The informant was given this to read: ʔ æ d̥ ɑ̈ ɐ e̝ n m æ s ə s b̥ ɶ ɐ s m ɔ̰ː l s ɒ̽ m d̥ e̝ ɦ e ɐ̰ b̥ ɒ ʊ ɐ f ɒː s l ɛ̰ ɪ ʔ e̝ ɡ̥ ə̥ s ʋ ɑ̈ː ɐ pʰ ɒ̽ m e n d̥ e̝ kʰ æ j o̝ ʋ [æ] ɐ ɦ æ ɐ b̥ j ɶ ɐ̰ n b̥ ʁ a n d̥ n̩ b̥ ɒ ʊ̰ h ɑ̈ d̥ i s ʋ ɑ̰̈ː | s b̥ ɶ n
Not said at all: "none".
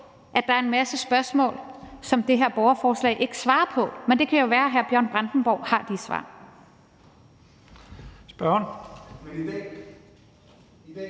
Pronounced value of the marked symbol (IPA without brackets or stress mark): æː